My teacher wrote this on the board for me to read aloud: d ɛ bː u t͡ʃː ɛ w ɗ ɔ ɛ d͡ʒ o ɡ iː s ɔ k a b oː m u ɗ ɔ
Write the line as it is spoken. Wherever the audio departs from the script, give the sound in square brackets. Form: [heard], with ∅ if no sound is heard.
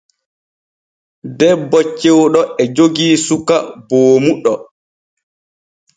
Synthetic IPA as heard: d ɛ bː [ɔ] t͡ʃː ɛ w ɗ ɔ ɛ d͡ʒ o ɡ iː s [u] k a b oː m u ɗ ɔ